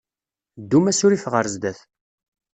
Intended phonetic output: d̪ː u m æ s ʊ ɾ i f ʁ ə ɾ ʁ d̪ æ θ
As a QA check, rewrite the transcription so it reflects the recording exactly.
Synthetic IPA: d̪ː u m æ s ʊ ɾ i f ʁ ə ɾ z d̪ æ θ